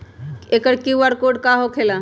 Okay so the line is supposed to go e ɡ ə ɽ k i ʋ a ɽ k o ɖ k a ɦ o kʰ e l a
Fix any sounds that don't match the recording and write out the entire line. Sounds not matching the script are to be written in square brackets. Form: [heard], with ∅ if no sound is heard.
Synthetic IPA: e [k] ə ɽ k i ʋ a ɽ k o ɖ k a ɦ o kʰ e l a